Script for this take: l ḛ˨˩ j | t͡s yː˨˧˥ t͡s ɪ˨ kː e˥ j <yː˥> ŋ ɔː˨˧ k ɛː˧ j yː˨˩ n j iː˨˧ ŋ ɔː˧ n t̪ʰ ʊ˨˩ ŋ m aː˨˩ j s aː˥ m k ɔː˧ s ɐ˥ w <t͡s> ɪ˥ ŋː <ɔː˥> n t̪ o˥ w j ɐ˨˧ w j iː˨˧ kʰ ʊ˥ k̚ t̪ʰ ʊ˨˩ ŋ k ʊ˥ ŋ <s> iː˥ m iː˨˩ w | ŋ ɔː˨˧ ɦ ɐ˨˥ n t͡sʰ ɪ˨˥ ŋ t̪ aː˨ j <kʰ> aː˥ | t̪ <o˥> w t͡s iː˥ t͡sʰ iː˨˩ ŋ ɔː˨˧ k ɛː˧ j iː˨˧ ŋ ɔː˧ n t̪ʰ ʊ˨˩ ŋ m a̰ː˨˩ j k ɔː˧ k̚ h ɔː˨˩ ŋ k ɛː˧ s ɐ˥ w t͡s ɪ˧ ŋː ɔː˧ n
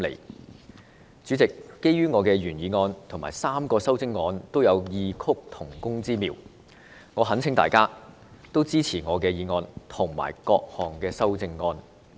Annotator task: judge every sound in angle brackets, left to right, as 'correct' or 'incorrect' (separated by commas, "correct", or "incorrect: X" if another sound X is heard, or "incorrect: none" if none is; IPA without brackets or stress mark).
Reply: correct, correct, incorrect: ɔː˧, incorrect: t͡s, incorrect: k, correct